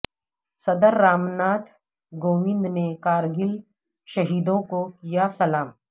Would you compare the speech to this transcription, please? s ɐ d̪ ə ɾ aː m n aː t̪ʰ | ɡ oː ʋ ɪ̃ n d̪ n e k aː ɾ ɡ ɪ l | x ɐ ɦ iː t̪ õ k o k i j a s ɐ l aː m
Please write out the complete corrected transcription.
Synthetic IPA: s ɐ d̪ ə ɾː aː m n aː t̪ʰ | ɡ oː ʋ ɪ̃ n d̪ n e k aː ɾ ɡ ɪ l | ʃ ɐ ɦ iː d̪ õ k o k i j a s ɐ l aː m